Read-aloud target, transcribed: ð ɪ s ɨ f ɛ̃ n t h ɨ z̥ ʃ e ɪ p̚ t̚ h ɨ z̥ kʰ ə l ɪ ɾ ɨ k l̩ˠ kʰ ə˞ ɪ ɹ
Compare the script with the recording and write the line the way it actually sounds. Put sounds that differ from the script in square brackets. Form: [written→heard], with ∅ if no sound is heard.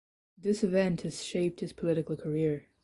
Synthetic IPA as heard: ð ɪ s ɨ [f→v] ɛ̃ n t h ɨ z̥ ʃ e ɪ p̚ t̚ h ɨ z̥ [kʰ→pʰ] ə l ɪ ɾ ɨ k l̩ˠ kʰ ə˞ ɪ ɹ